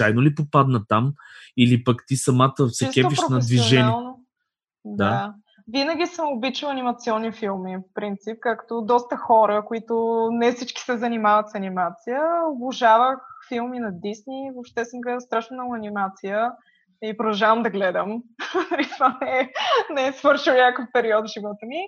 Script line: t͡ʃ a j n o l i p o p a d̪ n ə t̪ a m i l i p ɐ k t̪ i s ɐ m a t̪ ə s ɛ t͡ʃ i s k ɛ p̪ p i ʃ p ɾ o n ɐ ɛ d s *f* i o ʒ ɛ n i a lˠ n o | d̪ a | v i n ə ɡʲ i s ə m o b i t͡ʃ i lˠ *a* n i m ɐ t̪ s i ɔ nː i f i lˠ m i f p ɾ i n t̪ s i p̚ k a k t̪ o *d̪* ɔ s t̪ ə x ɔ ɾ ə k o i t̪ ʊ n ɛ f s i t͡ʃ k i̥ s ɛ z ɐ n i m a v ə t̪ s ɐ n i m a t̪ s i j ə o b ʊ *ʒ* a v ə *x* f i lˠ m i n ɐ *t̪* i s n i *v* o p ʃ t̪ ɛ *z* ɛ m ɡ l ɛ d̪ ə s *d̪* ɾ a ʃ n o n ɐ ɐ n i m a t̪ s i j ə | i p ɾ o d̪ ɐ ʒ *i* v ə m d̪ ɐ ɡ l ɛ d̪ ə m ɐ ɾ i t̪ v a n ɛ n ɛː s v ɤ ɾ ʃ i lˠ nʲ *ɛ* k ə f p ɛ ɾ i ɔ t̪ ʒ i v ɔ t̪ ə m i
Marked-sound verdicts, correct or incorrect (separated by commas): incorrect, incorrect, correct, correct, correct, incorrect, correct, incorrect, incorrect, incorrect, incorrect